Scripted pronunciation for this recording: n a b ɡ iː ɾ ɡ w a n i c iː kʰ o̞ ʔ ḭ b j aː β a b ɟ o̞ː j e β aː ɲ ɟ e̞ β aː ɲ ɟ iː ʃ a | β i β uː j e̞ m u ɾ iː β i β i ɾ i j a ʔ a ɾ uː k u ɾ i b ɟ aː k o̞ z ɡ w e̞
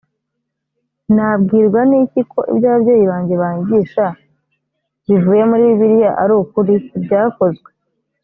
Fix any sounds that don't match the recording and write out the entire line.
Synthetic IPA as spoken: n a b ɡ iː ɾ ɡ w a n i c i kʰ o̞ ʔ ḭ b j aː β a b ɟ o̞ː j i β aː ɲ ɟ e̞ β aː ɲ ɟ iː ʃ a | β i v uː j e̞ m u ɾ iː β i β i ɾ i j a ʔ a ɾ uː k u ɾ i b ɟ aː k o̞ z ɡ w e̞